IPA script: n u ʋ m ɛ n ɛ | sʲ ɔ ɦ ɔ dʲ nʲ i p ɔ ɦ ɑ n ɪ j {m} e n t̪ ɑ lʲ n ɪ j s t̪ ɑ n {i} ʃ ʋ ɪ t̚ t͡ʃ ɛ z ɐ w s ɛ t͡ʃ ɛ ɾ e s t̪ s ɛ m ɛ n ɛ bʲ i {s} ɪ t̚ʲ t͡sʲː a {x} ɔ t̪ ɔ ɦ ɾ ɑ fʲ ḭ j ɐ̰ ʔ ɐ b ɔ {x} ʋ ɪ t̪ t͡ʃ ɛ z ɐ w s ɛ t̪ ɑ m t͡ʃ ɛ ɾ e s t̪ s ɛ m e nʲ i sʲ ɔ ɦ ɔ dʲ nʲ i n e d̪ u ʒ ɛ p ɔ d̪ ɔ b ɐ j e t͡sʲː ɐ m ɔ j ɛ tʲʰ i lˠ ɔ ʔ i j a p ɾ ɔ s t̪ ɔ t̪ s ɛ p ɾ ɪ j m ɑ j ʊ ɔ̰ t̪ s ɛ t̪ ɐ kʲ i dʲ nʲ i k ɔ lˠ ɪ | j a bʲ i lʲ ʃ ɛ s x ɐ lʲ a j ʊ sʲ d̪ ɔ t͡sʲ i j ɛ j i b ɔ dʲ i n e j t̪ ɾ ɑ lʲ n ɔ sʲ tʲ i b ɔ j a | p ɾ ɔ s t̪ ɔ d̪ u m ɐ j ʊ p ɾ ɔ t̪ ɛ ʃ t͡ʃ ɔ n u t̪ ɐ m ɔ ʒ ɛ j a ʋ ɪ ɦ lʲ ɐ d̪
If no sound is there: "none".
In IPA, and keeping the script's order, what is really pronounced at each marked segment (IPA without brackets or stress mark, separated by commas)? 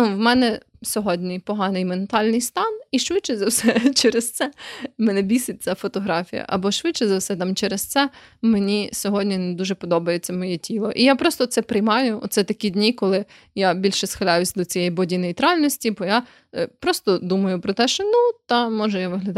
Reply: m, i, s, f, ʃ